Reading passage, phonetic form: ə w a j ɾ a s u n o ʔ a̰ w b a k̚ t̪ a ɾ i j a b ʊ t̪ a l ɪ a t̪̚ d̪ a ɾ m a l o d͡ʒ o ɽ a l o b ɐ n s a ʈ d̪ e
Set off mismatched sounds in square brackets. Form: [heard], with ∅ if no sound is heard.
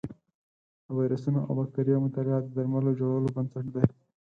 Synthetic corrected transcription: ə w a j ɾ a s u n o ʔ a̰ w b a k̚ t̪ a ɾ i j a [m] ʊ t̪ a l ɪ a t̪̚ d̪ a ɾ m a l o d͡ʒ o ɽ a l o b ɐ n s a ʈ d̪ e